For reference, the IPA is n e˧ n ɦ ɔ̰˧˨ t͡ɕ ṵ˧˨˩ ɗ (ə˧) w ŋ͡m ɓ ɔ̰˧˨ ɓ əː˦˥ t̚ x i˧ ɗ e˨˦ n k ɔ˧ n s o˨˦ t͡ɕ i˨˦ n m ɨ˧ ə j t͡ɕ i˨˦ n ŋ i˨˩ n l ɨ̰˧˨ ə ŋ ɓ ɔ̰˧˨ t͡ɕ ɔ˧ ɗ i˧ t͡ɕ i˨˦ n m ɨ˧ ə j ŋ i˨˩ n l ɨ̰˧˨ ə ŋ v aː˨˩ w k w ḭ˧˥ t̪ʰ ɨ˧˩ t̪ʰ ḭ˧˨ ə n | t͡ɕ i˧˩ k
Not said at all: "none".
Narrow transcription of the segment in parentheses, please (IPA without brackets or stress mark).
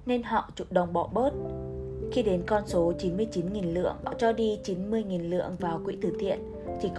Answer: ə˨˩